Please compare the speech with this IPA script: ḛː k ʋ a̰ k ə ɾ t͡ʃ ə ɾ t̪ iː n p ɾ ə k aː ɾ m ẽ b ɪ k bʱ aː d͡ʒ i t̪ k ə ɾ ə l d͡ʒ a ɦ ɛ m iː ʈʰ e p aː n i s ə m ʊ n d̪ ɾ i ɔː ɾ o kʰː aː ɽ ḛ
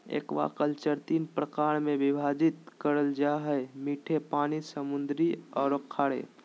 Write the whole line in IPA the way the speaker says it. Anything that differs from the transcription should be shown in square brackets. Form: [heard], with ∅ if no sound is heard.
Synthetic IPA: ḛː k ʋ a̰ k ə [l] t͡ʃ ə ɾ t̪ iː n p ɾ ə k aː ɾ m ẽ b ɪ [∅] bʱ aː d͡ʒ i t̪ k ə ɾ ə l d͡ʒ a ɦ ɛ m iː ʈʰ e p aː n i s ə m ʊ n d̪ ɾ i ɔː ɾ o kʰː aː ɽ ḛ